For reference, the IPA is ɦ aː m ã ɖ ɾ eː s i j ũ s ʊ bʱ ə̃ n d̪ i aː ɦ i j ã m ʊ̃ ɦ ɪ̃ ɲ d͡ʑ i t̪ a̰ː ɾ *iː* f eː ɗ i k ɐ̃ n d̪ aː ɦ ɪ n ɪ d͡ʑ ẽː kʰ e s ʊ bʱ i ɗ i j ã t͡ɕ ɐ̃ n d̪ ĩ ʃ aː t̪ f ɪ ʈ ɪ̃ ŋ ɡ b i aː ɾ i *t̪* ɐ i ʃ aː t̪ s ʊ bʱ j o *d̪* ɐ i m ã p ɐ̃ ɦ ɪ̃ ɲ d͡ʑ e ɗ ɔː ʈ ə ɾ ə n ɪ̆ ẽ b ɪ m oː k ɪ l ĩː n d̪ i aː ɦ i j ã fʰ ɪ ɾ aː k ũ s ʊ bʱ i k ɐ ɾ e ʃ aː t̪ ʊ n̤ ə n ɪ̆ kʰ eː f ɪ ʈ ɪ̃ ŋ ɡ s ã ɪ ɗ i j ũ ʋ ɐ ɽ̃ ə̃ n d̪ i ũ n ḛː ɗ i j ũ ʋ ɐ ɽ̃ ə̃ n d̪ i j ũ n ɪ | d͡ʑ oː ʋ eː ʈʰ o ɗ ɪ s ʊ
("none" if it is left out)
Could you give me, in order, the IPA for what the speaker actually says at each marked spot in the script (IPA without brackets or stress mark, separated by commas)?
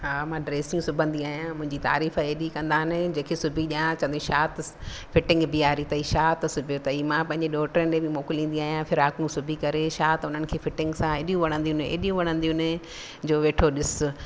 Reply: iː, t̪, t̪